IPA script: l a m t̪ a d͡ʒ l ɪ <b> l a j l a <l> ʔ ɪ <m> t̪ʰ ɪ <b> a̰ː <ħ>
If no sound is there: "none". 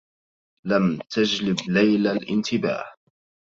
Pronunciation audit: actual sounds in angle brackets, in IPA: b, l, n, b, h

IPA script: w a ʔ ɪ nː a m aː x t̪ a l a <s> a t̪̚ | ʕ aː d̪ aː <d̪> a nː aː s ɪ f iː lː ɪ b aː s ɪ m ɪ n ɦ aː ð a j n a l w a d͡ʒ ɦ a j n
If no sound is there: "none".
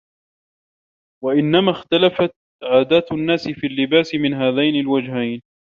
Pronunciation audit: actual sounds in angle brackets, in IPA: f, t̪

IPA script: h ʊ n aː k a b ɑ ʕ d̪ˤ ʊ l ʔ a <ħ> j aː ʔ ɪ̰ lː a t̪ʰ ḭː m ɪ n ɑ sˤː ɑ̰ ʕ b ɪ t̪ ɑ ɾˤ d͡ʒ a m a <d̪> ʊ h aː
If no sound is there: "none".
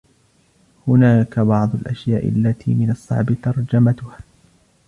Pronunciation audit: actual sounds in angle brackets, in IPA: ʃ, t̪

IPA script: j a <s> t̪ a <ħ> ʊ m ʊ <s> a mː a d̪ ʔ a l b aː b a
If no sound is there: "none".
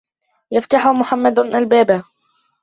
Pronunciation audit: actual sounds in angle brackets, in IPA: f, ħ, ħ

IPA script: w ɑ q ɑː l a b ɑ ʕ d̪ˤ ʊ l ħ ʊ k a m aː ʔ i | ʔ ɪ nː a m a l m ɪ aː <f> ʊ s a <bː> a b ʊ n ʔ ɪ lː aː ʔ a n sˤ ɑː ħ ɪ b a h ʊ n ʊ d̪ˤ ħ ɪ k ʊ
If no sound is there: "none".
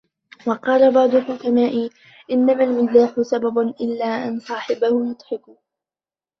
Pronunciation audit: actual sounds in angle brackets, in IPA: ħ, b

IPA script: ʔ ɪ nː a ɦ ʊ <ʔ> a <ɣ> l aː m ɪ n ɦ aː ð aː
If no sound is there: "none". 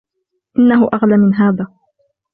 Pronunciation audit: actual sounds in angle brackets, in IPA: ʔ, ɣ

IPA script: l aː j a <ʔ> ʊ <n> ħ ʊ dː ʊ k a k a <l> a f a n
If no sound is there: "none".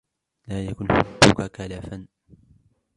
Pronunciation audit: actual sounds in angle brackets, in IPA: k, n, l

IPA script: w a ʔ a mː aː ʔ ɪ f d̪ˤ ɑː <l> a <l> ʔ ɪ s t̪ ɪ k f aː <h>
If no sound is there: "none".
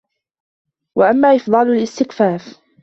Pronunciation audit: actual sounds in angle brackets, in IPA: l, l, f

